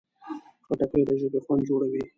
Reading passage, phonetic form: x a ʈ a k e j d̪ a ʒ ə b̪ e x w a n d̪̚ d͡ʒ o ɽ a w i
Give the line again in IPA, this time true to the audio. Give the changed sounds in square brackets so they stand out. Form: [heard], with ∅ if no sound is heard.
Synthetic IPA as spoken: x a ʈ a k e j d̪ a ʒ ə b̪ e x w a n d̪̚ d͡ʒ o ɽ a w i